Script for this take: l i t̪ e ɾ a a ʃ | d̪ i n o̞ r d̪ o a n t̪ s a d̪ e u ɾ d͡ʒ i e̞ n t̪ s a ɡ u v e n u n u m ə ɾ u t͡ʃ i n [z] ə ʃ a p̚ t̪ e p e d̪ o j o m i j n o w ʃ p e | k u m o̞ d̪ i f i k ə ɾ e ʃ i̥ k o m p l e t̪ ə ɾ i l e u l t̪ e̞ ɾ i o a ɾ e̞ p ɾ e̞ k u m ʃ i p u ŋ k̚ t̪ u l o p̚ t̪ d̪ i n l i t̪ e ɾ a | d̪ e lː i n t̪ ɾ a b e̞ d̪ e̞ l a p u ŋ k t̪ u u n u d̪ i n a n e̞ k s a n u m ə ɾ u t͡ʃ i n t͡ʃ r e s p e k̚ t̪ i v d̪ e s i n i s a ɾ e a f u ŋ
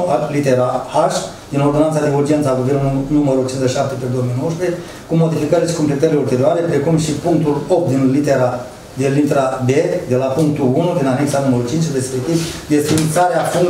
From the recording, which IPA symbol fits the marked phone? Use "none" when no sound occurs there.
z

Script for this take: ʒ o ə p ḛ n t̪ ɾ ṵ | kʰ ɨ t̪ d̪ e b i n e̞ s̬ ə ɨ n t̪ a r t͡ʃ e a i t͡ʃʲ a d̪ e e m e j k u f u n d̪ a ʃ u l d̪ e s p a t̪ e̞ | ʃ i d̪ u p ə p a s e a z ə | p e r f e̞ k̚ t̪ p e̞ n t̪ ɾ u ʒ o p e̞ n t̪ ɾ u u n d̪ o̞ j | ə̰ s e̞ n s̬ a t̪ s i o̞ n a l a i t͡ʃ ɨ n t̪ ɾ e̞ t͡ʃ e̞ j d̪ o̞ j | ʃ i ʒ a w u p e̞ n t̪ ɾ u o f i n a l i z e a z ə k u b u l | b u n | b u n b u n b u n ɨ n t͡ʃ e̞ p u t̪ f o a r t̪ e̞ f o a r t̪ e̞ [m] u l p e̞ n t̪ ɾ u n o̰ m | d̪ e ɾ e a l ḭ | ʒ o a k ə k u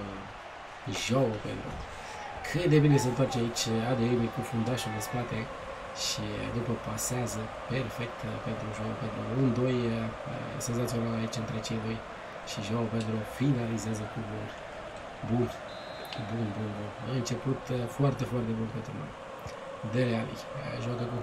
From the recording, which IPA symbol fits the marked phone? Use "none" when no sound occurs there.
b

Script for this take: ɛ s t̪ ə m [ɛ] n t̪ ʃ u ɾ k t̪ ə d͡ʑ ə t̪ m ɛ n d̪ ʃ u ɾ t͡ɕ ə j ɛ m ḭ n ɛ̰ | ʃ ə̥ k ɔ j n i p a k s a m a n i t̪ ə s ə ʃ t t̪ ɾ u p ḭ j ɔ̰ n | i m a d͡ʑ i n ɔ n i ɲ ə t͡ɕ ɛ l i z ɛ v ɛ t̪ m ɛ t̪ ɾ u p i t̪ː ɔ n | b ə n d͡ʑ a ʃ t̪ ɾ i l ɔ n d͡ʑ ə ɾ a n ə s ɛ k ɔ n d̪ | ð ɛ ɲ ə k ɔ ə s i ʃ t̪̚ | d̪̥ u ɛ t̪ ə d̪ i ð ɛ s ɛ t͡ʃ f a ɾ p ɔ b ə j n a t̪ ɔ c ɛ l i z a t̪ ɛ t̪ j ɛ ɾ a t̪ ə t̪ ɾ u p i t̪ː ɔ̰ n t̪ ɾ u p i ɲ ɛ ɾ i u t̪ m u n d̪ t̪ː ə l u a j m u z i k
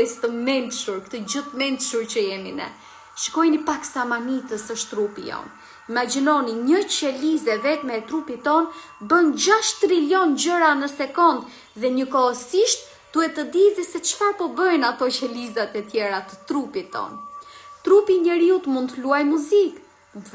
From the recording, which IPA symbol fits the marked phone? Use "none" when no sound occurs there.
ɛ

